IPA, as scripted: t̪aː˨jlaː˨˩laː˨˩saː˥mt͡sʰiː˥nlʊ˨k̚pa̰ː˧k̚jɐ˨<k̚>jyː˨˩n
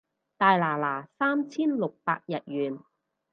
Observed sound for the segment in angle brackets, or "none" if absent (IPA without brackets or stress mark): t̚